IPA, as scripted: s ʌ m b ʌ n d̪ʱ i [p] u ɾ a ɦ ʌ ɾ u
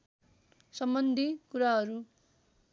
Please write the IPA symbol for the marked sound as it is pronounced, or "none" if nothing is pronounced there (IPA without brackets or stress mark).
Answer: k